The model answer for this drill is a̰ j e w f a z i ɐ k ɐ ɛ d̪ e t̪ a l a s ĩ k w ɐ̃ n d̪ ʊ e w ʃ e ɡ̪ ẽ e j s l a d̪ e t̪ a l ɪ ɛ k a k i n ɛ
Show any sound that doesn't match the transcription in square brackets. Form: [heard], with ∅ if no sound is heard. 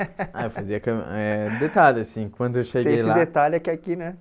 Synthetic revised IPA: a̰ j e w f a z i ɐ k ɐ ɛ d̪ e t̪ a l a s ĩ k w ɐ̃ n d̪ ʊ e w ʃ e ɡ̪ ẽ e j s l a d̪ e t̪ a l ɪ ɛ k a k i n ɛ

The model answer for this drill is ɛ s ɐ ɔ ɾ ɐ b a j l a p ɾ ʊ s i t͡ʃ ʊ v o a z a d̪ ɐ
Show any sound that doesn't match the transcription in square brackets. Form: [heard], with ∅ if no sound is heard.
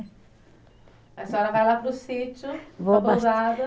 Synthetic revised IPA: ɛ s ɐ ɔ ɾ ɐ [v] a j l a p ɾ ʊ s i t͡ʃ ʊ v o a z a d̪ ɐ

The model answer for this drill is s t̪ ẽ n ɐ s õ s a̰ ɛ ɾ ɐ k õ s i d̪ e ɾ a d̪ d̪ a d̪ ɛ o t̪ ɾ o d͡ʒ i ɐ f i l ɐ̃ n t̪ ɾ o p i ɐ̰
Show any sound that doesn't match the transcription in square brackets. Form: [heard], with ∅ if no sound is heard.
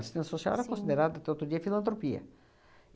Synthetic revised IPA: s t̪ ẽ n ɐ s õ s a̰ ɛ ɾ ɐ k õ s i d̪ e ɾ a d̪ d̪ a [t̪] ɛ o t̪ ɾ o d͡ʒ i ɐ f i l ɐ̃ n t̪ ɾ o p i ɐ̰

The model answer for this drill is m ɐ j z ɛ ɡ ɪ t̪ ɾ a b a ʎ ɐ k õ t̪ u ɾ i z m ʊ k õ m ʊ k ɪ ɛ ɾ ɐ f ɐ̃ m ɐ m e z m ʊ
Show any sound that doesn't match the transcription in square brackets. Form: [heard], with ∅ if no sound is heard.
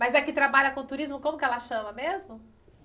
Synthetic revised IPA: m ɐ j z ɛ [k] ɪ t̪ ɾ a b a ʎ ɐ k õ t̪ u ɾ i z m ʊ k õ m ʊ k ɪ ɛ [l] ɐ [ʃ] ɐ̃ m ɐ m e z m ʊ

